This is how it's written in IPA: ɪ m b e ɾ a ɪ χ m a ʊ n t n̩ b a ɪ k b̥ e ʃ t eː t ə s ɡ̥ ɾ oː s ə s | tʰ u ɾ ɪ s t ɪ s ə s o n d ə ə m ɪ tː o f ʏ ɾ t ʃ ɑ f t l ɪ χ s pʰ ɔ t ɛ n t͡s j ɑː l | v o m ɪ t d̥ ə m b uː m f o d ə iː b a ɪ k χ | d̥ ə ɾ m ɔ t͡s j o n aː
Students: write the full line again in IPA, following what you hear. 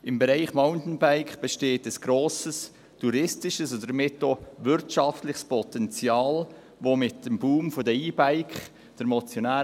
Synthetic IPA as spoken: ɪ m b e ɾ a ɪ χ m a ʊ n t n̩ b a ɪ k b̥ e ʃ t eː t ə s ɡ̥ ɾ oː s ə s | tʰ u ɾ ɪ s t ɪ ʃ ə s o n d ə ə m ɪ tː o v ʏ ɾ t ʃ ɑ f t l ɪ χ s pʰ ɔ t ɛ n t͡s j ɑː l | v o m ɪ t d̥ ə m b uː m f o d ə iː b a ɪ k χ | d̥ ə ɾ m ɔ t͡s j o n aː